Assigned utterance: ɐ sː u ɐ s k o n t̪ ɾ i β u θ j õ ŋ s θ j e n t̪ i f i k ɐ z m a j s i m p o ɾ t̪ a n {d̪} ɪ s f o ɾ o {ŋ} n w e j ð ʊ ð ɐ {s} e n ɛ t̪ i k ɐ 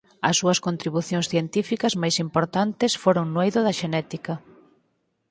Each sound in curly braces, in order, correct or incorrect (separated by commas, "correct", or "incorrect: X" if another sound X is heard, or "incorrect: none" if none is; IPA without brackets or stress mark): incorrect: t̪, correct, incorrect: ʃ